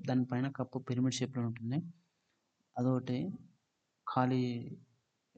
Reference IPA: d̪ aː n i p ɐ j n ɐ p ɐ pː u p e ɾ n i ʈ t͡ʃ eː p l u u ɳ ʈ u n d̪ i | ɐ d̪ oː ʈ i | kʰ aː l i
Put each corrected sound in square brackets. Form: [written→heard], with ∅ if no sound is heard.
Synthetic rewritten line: d̪ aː n i p ɐ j n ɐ [p→k] ɐ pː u p e ɾ [n→m] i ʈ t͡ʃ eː p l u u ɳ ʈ u n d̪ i | ɐ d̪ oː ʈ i | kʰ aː l i